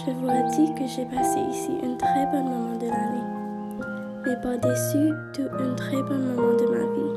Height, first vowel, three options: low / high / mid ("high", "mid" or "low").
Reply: mid